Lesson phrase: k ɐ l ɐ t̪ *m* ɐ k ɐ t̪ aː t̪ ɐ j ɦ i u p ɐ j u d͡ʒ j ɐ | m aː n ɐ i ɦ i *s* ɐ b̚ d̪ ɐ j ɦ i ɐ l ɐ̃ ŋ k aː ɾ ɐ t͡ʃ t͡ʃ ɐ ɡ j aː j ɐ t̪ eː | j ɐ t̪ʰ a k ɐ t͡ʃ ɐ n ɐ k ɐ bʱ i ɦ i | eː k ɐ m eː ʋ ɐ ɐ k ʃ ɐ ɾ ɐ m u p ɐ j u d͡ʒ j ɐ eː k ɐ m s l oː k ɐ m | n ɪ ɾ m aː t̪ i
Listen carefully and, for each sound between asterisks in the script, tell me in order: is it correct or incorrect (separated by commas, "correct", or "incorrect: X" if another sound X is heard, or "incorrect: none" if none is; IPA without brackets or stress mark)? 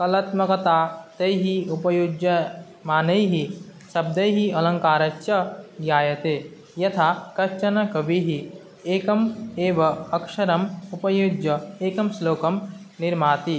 correct, correct